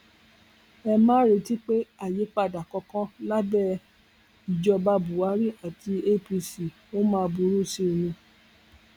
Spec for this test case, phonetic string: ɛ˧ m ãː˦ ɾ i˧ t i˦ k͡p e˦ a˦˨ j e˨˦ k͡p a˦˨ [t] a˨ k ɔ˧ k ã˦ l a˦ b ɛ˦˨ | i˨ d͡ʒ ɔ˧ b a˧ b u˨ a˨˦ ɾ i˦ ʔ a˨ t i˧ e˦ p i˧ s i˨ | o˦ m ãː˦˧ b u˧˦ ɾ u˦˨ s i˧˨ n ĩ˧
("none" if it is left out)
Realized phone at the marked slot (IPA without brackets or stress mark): d